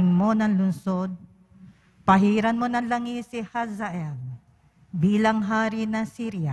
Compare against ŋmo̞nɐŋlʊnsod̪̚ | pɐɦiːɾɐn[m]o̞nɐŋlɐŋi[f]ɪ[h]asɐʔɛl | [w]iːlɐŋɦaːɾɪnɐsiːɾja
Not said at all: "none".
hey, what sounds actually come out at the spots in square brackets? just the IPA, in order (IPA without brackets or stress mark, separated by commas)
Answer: m, s, h, b